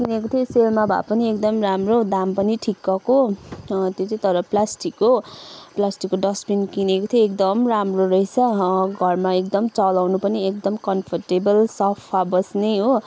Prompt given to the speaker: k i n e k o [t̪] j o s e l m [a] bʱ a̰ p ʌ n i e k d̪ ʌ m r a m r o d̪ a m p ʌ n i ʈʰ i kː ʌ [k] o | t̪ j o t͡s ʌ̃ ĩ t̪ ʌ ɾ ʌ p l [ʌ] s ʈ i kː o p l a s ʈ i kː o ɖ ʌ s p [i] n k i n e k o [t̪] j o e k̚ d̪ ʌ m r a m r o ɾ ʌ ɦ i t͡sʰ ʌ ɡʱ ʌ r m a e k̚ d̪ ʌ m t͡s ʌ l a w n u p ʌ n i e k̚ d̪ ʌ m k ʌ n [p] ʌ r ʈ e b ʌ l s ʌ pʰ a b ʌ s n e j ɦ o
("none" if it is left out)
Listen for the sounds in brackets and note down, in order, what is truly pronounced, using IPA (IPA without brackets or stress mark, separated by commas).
t̪ʰ, a, k, a, i, t̪ʰ, pʰ